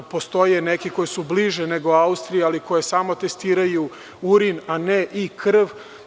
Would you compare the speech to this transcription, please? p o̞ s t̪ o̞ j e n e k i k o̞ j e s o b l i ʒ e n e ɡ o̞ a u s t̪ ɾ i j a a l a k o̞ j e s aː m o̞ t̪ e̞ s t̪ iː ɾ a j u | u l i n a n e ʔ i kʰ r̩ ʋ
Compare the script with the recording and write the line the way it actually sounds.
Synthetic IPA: p o̞ s t̪ o̞ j e n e k i k o̞ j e s u b l i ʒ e n e ɡ o̞ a u s t̪ ɾ i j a a l i k o̞ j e s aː m o̞ t̪ e̞ s t̪ iː ɾ a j u | u ɾ i n a n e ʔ i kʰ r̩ ʋ